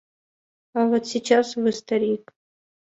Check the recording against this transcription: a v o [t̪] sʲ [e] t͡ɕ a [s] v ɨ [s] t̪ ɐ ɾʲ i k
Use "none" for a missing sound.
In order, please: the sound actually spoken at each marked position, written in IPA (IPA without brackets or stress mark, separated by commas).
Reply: t̪, i, s, s